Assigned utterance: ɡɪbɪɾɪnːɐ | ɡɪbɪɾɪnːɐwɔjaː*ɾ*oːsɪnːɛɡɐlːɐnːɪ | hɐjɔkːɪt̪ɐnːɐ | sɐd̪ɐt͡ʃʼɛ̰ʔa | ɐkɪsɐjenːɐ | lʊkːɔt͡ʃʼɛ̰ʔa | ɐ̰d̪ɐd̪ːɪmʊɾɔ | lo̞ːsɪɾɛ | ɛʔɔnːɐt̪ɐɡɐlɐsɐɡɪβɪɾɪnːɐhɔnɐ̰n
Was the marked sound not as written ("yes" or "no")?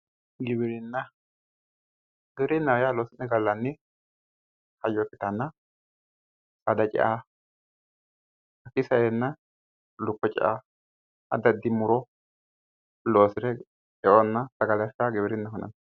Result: yes